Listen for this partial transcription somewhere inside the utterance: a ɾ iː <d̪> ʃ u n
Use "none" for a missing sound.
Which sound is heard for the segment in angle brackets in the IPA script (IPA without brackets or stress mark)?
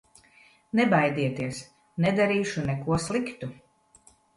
none